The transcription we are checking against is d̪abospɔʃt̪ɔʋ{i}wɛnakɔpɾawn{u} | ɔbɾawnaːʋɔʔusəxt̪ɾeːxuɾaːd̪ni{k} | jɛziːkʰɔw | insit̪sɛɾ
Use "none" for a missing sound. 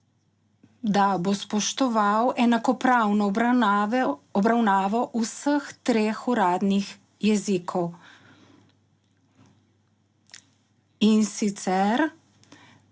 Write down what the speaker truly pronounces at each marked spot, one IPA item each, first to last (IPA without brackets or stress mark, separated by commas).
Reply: a, ɔ, x